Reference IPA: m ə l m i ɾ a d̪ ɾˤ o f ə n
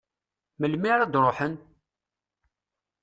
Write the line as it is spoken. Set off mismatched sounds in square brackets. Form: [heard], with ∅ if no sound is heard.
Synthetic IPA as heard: m ə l m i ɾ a d̪ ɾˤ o [ħ] ə n